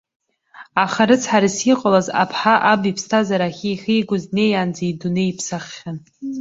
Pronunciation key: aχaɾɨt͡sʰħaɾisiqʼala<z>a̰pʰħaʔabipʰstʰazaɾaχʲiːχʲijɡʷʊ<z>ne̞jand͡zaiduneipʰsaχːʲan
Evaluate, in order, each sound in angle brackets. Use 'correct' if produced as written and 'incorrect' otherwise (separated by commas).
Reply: correct, correct